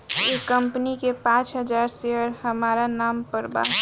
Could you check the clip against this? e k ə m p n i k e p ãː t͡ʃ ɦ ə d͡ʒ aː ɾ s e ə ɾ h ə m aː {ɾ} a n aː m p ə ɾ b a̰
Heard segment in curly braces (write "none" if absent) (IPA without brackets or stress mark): ɾ